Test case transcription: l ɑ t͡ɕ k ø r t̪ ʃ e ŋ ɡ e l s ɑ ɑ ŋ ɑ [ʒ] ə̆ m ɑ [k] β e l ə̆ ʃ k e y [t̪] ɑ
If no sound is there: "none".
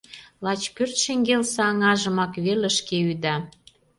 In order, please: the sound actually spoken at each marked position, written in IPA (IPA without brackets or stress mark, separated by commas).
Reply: ʒ, k, d̪